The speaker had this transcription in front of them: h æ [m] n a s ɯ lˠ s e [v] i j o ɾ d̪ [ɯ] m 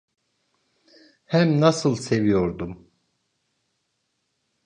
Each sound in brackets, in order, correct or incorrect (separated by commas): correct, correct, incorrect